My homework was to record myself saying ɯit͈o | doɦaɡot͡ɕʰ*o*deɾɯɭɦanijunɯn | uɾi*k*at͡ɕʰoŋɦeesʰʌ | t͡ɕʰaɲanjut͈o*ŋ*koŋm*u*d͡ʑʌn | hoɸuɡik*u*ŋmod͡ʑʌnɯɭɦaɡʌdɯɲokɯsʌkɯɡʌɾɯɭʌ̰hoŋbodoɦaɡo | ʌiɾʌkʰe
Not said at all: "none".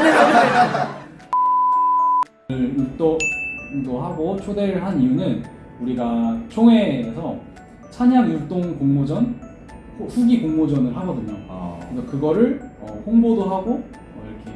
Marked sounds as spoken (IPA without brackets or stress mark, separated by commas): o, ɡ, ŋ, o, o